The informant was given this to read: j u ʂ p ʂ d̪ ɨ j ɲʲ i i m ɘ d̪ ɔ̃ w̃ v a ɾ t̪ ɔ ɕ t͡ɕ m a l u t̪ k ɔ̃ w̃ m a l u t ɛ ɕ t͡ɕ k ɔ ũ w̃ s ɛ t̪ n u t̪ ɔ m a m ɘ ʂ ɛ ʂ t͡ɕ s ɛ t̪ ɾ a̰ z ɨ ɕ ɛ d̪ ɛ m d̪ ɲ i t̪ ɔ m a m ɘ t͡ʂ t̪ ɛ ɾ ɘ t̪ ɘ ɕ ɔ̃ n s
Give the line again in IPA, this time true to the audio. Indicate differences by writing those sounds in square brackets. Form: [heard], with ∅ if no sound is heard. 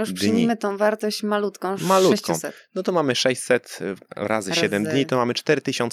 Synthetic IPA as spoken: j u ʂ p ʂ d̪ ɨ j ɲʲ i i m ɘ [t̪] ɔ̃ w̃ v a ɾ t̪ ɔ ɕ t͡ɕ m a l u t̪ k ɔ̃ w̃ m a l u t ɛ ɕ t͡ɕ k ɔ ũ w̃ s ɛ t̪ n [ɔ] t̪ ɔ m a m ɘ ʂ ɛ [ɕ] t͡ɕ s ɛ t̪ ɾ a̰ z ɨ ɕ ɛ d̪ ɛ m d̪ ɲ i t̪ ɔ m a m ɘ t͡ʂ t̪ ɛ ɾ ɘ t̪ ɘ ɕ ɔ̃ n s